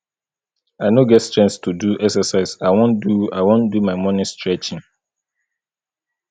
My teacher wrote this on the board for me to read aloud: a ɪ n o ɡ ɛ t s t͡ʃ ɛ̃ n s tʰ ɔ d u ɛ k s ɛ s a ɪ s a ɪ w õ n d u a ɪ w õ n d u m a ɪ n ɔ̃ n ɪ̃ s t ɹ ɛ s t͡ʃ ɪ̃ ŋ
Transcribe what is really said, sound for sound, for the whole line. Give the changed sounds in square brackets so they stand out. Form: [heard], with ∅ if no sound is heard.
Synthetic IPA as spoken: a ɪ n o ɡ ɛ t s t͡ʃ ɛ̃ n s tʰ [u] d u ɛ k s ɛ s a ɪ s a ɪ w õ n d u a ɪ w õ n d u m a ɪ [m] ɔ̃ n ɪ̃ s t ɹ ɛ [∅] t͡ʃ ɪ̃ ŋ